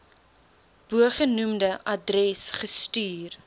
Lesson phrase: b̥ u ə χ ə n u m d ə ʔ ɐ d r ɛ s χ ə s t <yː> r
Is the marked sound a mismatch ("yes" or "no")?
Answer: no